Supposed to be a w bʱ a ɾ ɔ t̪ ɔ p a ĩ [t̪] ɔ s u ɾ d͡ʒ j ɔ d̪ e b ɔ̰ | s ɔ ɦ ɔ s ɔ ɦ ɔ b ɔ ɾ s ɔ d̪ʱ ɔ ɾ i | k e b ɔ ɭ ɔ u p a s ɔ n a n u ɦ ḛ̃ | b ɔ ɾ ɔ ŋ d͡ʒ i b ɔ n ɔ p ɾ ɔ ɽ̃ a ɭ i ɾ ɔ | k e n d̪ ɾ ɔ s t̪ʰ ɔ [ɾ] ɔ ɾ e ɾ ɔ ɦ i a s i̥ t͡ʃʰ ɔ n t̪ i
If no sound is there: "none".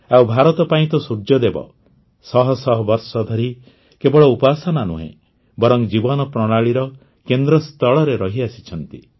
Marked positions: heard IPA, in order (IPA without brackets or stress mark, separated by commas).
t̪, ɭ